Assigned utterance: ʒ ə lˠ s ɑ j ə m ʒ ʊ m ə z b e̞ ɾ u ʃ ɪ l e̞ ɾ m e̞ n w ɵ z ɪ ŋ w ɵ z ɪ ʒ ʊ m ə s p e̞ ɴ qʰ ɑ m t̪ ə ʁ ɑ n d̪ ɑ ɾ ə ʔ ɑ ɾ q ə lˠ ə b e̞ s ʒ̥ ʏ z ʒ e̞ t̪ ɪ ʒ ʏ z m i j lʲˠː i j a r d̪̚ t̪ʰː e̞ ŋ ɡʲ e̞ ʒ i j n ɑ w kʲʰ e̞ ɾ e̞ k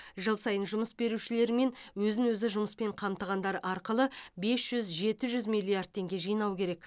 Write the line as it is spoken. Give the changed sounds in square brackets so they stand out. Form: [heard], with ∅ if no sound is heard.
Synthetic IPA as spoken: ʒ ə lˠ s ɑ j ə [n] ʒ ʊ m ə [s] b e̞ ɾ u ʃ ɪ l e̞ ɾ m e̞ n w ɵ z ɪ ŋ w ɵ z ɪ ʒ ʊ m ə s p e̞ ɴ qʰ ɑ m t̪ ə ʁ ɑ n d̪ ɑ ɾ ə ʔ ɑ ɾ q ə lˠ ə b e̞ s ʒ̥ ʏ z ʒ e̞ t̪ ɪ ʒ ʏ z m i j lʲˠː i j a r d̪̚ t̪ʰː e̞ ŋ ɡʲ e̞ ʒ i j n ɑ w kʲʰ e̞ ɾ e̞ k

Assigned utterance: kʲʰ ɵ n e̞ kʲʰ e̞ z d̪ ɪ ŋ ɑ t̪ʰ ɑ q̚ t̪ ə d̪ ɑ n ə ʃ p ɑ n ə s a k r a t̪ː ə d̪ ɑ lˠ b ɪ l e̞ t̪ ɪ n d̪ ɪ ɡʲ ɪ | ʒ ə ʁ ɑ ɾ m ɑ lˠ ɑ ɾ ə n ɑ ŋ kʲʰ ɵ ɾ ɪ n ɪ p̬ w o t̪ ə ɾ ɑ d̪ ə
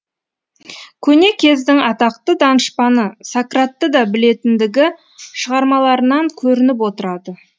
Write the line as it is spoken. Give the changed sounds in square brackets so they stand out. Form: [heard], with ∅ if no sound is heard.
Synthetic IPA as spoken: kʲʰ ɵ n e̞ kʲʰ e̞ z d̪ ɪ ŋ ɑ [t̪] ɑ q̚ t̪ ə d̪ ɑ n ə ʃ p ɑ n ə s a k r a t̪ː ə d̪ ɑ [∅] b ɪ l e̞ t̪ ɪ n d̪ ɪ ɡʲ ɪ | [ʃ] ə ʁ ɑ ɾ m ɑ lˠ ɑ ɾ ə n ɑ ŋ kʲʰ ɵ ɾ ɪ n ɪ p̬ w o t̪ ə ɾ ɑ d̪ ə

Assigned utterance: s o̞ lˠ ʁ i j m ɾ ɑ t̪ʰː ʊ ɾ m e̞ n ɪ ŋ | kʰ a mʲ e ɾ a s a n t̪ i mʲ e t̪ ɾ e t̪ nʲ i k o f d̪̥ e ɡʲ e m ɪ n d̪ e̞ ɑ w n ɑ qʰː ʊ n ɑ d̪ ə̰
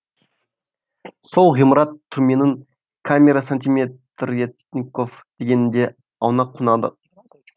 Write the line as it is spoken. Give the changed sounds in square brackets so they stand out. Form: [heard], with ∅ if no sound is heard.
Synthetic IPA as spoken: s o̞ lˠ ʁ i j m ɾ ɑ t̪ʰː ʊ ɾ m e̞ n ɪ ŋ | kʰ a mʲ e ɾ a s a n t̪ i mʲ e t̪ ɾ e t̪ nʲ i k o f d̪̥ e ɡʲ e [n] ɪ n d̪ e̞ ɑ w n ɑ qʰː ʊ n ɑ d̪ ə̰

